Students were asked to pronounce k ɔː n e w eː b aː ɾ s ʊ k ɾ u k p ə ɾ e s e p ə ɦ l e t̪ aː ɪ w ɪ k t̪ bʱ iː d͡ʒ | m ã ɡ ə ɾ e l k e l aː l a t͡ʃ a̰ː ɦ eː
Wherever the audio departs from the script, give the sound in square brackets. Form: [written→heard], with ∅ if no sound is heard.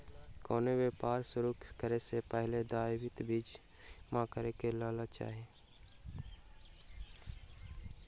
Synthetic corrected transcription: k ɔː n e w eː [b→p] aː ɾ s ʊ [k→∅] ɾ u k [p→k] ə ɾ e s e p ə ɦ l e [t̪→d̪] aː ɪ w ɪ [k→∅] t̪ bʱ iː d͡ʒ | m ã [ɡ→k] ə ɾ e [l→∅] k e l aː l a t͡ʃ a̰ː ɦ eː